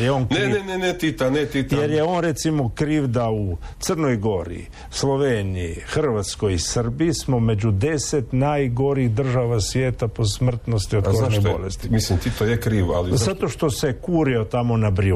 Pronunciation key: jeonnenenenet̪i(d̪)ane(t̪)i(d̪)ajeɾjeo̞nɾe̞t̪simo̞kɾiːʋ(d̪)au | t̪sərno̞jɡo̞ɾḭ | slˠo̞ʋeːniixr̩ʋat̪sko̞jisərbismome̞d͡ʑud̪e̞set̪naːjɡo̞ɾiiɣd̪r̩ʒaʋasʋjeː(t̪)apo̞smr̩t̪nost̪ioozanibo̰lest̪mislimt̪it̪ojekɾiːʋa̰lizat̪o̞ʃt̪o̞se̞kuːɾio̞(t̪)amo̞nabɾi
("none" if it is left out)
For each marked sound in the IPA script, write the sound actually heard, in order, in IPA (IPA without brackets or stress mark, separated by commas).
t̪, t̪, t̪, d̪, t̪, t̪